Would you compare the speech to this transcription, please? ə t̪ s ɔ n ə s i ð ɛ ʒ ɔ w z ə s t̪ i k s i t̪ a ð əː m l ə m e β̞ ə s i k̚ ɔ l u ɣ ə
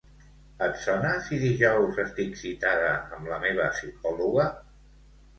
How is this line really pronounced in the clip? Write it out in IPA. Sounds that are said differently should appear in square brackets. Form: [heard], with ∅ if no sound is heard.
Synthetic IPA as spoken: ə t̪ s ɔ n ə s i ð [i] ʒ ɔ w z ə s t̪ i k s i t̪ a ð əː m l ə m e β̞ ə s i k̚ ɔ l u ɣ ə